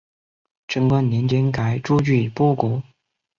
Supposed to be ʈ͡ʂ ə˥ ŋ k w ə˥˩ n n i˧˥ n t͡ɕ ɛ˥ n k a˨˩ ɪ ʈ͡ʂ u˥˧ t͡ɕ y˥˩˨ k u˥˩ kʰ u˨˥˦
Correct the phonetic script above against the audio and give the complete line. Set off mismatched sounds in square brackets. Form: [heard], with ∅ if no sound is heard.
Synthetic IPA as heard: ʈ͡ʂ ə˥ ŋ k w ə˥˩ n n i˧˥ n t͡ɕ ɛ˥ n k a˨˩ ɪ ʈ͡ʂ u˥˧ t͡ɕ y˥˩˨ [p] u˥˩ [k] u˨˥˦